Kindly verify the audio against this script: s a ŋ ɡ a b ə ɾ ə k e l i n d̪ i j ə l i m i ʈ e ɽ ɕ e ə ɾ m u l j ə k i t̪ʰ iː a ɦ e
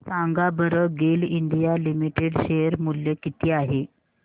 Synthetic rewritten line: s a ŋ ɡ a b ə ɾ ə ɡ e l i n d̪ i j a l i m i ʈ e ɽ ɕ e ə ɾ m u l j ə k i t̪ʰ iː a ɦ e